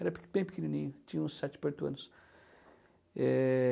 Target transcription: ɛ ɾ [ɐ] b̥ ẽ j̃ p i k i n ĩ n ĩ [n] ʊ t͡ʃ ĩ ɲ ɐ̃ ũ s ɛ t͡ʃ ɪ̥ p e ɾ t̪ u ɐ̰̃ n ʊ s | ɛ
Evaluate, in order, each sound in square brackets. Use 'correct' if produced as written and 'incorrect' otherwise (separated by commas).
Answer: correct, incorrect